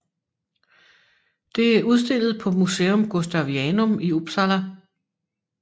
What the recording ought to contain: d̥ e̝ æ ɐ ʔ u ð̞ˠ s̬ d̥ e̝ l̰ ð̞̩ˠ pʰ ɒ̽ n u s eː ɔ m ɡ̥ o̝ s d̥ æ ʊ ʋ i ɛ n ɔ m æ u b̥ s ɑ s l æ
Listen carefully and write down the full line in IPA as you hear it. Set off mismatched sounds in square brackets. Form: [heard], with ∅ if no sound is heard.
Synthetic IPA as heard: d̥ e̝ æ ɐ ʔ u ð̞ˠ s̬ d̥ e̝ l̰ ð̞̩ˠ pʰ ɒ̽ [m] u s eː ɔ m ɡ̥ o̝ s d̥ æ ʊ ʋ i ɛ n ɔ m [i] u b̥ s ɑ [∅] l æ